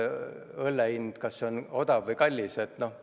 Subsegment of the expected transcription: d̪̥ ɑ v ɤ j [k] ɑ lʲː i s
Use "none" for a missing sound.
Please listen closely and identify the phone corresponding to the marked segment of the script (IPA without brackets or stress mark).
k